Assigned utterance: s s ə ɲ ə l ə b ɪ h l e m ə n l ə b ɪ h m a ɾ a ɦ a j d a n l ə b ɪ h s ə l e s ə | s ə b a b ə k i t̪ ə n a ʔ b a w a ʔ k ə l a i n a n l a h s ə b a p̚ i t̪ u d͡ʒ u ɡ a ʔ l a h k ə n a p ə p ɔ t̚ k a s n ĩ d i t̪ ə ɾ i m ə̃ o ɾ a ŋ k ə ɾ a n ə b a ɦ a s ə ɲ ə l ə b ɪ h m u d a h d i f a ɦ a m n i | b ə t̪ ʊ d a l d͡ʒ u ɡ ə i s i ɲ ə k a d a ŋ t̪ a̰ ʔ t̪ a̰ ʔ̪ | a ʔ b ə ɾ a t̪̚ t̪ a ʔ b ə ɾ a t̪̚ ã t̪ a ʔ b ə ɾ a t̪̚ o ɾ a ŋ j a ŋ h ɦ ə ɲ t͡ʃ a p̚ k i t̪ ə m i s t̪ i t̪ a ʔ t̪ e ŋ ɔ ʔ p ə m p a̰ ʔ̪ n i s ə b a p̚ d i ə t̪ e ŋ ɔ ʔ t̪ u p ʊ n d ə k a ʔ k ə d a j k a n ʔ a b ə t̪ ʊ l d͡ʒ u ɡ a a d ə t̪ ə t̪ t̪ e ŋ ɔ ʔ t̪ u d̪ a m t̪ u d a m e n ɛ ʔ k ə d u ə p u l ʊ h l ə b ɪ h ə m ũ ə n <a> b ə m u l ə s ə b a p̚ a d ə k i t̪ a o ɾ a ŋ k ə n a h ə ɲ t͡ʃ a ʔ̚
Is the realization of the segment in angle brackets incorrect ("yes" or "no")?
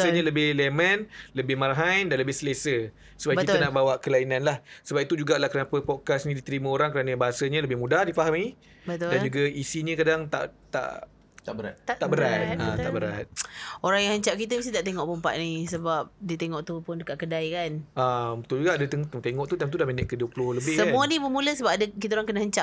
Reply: yes